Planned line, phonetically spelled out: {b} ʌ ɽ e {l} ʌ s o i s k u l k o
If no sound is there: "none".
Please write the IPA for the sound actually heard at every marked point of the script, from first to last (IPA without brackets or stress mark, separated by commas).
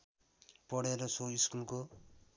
p, ɾ